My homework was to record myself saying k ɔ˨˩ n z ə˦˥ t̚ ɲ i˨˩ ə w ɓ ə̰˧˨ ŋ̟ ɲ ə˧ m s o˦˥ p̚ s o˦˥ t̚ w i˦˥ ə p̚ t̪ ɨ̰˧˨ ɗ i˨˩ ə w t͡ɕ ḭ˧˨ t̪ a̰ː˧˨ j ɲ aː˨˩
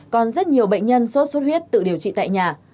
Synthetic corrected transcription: k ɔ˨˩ n z ə˦˥ t̚ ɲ i˨˩ ə w ɓ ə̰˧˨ ŋ̟ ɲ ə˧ n s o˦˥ t̚ s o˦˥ t̚ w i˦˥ ə t̚ t̪ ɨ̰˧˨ ɗ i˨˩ ə w t͡ɕ ḭ˧˨ t̪ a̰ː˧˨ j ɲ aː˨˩